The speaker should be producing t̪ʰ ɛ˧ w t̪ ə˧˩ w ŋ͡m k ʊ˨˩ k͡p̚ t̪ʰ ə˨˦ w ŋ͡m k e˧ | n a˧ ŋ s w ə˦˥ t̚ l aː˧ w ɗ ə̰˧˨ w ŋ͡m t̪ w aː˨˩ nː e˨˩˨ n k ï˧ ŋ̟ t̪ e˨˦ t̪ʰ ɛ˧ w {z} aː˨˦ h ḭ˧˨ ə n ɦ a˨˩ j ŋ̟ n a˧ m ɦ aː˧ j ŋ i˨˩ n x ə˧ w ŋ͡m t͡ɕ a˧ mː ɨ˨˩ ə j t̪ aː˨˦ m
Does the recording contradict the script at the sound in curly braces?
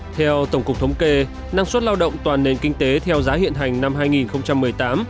no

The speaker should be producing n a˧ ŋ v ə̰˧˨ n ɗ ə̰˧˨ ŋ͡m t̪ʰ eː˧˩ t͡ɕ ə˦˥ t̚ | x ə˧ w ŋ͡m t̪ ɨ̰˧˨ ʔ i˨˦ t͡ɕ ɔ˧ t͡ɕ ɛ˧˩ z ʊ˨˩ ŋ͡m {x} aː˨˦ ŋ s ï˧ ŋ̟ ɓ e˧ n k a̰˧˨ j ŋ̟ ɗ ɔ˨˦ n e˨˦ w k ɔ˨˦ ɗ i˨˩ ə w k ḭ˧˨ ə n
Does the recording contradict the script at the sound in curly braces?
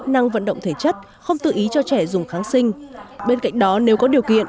no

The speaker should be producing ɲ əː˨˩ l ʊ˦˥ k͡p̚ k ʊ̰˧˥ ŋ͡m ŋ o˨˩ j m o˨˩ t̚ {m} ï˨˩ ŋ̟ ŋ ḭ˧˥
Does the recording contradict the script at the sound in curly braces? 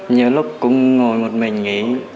no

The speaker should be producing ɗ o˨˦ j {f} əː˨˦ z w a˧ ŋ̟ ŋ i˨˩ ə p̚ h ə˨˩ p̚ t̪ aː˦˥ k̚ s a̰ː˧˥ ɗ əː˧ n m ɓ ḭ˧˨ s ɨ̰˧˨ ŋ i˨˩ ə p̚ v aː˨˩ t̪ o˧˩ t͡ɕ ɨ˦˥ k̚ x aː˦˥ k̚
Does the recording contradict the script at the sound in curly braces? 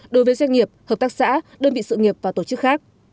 yes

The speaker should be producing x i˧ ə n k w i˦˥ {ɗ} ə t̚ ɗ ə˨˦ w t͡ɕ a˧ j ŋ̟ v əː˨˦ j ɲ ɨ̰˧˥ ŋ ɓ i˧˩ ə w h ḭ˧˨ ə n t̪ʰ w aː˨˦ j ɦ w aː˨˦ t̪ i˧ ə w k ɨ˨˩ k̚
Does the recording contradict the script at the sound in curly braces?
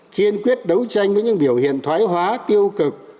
yes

